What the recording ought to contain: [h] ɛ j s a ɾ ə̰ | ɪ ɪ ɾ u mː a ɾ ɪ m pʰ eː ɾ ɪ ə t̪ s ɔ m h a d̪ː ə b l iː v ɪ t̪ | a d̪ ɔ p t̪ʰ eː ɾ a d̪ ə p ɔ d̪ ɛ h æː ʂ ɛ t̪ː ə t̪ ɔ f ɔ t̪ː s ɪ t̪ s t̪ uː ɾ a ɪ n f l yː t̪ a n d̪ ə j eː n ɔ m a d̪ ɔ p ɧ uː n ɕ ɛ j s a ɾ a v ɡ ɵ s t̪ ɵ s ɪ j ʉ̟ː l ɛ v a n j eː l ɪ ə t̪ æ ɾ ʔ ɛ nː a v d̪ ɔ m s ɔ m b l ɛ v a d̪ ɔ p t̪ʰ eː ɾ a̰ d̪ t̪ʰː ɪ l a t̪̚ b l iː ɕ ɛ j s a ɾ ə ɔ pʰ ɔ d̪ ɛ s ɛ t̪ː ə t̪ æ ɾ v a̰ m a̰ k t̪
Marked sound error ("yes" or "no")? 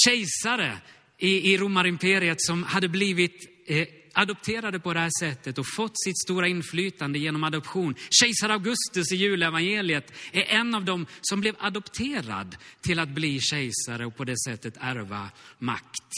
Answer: yes